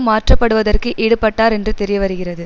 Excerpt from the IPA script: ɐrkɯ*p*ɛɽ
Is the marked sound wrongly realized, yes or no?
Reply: yes